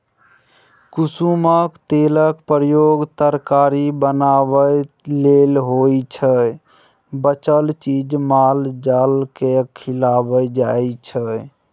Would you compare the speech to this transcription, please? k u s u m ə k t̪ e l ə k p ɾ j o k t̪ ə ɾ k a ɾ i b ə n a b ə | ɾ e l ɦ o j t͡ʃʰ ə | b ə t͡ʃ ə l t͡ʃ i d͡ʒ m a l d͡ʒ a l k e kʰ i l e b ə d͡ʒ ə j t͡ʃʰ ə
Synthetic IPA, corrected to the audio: k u s u m ə k t̪ e l ə k p ɾ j o ɡ t̪ ə ɾ k a ɾ i b ə n a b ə | l e l ɦ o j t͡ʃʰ ə | b ə t͡ʃ ə l t͡ʃ i d͡ʒ m a l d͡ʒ a l k e kʰ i l a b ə d͡ʒ a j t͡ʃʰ ə